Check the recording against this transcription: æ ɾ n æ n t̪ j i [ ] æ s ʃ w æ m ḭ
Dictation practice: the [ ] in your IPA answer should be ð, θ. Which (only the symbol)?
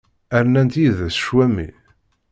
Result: ð